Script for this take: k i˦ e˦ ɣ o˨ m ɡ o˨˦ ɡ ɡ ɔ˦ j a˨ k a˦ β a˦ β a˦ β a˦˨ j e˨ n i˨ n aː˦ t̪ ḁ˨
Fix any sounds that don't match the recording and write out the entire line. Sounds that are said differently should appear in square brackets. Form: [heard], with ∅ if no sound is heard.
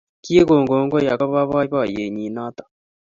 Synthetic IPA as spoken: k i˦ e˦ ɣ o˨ [ŋ] ɡ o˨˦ [ŋ] ɡ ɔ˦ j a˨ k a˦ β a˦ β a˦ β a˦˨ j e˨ [ɲ] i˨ n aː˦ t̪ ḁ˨